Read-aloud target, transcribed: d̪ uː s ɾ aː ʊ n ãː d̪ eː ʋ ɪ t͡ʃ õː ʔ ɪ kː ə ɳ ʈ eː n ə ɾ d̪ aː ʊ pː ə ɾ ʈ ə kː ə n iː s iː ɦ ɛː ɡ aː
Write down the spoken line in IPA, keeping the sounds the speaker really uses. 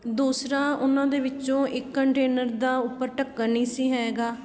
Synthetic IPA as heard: d̪ uː s ɾ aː ʊ n ãː d̪ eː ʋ ɪ t͡ʃ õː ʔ ɪ kː ə ɳ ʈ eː n ə ɾ d̪ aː ʊ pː ə ɾ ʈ ə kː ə n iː s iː ɦ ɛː ɡ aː